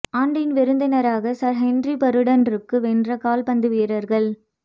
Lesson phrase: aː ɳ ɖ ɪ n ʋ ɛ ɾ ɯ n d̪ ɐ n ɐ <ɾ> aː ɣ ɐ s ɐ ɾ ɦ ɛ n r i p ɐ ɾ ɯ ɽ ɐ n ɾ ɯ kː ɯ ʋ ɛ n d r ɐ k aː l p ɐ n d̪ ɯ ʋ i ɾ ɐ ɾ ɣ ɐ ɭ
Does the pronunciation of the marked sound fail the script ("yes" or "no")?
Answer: no